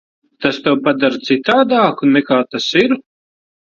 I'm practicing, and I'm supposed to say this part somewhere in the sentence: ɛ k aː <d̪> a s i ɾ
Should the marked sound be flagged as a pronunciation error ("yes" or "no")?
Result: yes